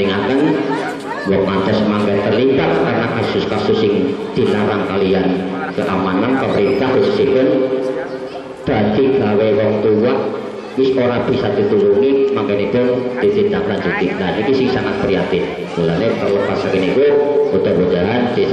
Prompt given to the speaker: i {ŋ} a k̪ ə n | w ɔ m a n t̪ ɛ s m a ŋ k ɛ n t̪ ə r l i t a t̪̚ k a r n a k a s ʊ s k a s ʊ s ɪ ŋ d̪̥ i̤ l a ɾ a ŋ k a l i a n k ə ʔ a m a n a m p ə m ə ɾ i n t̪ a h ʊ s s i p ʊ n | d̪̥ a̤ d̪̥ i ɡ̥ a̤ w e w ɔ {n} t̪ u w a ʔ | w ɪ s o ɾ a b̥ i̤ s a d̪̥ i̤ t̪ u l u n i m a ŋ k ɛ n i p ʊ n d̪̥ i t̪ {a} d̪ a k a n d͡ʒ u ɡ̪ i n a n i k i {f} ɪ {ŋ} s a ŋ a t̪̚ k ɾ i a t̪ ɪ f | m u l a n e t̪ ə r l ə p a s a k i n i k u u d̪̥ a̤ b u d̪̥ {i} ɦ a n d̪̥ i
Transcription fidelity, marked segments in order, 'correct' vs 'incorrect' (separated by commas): correct, incorrect, incorrect, incorrect, correct, incorrect